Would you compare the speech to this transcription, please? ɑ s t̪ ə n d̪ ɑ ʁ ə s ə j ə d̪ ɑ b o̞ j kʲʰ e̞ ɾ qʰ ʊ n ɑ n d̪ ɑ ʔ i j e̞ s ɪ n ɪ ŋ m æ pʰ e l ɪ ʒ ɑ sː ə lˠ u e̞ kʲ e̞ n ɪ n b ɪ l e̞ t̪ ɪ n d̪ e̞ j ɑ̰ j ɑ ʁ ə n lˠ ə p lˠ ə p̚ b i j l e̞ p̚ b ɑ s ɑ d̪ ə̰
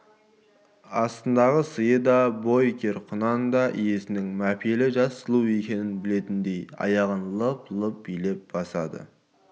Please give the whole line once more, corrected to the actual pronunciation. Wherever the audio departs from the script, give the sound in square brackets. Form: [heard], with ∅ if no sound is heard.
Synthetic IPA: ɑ s t̪ ə n d̪ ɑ ʁ ə s ə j ə d̪ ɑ b o̞ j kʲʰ e̞ ɾ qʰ ʊ n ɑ n d̪ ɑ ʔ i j e̞ s ɪ n ɪ ŋ m æ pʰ e l ɪ ʒ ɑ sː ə lˠ u e̞ kʲ e̞ n ɪ n b ɪ l e̞ t̪ ɪ n d̪ e̞ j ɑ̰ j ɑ ʁ ə n lˠ ə p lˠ ə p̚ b i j l e̞ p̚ b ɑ s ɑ d̪ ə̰